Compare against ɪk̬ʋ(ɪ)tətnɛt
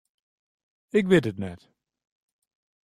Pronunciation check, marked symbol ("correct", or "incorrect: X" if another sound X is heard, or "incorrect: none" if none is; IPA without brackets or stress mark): correct